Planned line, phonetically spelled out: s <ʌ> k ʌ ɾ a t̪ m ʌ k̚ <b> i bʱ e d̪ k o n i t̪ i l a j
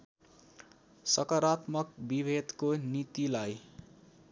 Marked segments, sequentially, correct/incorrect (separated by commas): correct, correct